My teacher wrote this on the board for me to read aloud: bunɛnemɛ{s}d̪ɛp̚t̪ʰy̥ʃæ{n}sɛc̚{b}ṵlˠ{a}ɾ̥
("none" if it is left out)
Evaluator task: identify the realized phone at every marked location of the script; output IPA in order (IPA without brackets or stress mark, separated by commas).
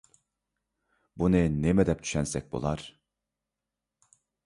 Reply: none, n, b, a